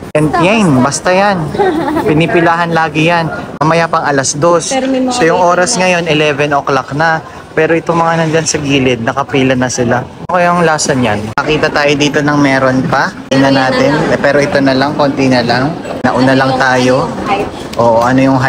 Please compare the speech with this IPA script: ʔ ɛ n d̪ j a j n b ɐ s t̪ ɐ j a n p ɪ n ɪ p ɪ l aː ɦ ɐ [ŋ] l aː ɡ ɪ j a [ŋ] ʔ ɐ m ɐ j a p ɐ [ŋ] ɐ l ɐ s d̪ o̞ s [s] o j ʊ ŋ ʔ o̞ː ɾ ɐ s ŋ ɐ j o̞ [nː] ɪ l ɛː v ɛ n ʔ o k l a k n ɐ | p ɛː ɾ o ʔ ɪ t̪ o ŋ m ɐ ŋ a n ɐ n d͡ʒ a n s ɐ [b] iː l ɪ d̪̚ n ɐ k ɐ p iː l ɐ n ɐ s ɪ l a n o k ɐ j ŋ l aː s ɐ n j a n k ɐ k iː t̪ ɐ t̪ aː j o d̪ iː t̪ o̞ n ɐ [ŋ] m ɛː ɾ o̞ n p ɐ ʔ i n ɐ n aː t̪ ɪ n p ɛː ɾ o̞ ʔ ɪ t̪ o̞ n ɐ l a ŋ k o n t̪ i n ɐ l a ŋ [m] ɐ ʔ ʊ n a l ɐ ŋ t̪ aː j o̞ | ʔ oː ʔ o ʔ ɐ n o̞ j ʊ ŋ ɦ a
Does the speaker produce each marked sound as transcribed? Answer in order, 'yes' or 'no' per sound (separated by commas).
no, no, yes, yes, no, no, yes, no